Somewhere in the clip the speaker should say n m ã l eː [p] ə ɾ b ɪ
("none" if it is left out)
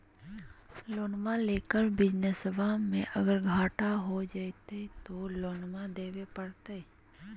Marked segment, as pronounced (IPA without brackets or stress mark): k